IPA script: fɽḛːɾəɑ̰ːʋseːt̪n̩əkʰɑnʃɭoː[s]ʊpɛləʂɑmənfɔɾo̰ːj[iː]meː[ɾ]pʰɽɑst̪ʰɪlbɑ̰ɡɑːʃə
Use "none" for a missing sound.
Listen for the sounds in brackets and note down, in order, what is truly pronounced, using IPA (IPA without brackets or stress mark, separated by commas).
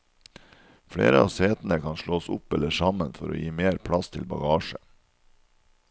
s, iː, ɾ